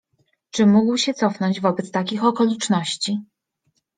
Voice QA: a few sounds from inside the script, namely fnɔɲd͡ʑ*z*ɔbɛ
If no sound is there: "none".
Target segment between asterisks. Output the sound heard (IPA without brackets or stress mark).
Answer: v